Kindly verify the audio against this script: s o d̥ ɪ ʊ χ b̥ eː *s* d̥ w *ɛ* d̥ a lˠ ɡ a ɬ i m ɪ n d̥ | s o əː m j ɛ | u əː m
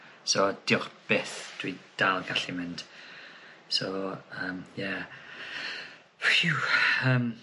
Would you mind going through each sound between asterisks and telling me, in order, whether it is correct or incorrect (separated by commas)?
incorrect, incorrect